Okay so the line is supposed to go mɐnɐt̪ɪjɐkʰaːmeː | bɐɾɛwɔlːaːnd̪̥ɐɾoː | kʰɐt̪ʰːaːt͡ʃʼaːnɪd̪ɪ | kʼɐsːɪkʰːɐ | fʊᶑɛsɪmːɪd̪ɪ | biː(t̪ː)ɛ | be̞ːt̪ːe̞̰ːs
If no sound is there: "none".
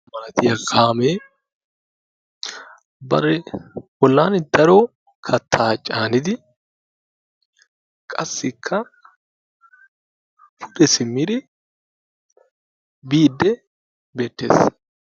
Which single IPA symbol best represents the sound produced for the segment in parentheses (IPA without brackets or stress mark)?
d̪ː